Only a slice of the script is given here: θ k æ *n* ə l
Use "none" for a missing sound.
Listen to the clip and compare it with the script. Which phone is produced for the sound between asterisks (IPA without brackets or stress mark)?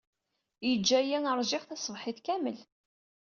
m